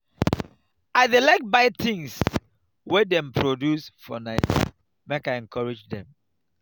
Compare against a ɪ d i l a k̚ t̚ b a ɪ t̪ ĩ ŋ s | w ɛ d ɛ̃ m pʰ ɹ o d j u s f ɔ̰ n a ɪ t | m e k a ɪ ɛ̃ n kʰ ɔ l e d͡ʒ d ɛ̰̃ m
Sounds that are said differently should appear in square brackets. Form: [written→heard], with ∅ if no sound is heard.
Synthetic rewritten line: a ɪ d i l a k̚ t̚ b a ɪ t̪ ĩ ŋ s | w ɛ d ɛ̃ m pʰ ɹ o d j u s f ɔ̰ n a ɪ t | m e k a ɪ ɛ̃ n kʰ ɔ [l→ɹ] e d͡ʒ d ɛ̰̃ m